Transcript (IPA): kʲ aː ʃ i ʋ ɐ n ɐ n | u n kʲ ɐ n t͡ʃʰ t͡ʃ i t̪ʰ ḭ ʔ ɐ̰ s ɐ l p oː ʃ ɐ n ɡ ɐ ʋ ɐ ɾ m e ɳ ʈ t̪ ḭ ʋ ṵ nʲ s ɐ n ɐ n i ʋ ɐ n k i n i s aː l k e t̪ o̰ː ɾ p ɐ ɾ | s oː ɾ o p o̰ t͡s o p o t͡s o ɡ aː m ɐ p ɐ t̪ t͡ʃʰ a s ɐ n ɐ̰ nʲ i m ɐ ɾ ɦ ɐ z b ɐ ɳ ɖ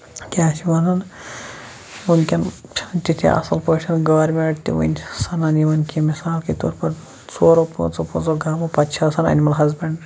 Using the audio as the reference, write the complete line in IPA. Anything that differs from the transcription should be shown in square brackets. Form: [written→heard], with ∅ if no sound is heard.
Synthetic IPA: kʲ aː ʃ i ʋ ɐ n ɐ n | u n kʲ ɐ n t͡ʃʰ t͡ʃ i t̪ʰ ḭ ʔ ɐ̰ s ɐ l p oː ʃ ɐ n ɡ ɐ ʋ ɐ ɾ m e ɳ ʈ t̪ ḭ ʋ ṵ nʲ s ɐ n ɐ n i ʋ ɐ n k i [n→m] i s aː l k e t̪ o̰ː ɾ p ɐ ɾ | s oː ɾ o p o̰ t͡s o p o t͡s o ɡ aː m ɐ p ɐ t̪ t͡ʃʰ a s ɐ n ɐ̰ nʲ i m ɐ [ɾ→l] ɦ ɐ z b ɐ ɳ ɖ